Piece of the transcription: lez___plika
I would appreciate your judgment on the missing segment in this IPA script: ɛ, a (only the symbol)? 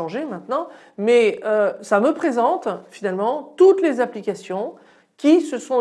a